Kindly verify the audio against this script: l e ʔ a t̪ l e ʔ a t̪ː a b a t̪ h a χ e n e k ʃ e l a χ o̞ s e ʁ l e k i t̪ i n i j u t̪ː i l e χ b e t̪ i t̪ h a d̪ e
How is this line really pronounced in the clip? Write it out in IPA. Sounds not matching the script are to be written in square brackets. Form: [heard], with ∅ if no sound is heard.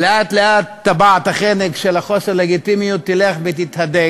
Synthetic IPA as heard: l e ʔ a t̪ l e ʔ a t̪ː a b a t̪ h a χ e n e k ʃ e l a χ o̞ s e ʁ l e [ɡ] i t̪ i [m] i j u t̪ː i l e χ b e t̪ i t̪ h a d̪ e

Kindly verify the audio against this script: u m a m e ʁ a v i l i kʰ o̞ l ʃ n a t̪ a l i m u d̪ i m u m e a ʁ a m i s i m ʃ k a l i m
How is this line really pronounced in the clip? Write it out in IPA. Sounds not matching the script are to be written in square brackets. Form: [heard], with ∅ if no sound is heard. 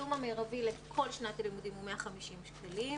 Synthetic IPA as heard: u m a m e ʁ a v i l [e] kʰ o̞ l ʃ n a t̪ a l i m u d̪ i m u m e a [χ] a m i [ʃ] i m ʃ k a l i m

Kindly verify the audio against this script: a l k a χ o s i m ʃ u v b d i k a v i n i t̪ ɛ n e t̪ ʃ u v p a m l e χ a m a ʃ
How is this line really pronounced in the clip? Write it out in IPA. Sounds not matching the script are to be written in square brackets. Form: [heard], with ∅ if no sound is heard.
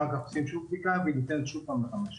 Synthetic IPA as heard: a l k a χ o s i m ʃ u v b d i k a v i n i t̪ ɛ n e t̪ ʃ u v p a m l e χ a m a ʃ

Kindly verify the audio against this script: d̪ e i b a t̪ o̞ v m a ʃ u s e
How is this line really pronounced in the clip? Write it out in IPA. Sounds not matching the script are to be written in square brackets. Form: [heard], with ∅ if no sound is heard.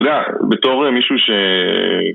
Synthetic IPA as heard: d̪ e [a] b [e] t̪ o̞ [ʁ] m [i] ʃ u [ʃ] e

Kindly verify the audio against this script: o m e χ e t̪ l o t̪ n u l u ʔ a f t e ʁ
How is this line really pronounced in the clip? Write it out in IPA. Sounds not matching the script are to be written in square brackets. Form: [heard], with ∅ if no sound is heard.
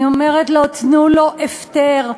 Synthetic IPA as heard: o m e [ʁ] e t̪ l o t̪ n u l [o] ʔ [e] f t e ʁ

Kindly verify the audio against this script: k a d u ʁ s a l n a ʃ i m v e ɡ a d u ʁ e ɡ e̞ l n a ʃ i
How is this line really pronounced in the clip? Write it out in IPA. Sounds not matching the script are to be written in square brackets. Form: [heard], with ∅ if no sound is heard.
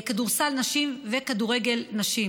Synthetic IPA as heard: k a d u ʁ s a l n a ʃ i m v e [k] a d u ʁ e ɡ e̞ l n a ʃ i

